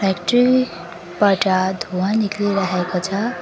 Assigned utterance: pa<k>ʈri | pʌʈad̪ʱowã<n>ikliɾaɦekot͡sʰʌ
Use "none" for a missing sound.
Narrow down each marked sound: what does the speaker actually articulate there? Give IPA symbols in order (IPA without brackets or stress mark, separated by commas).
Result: k, n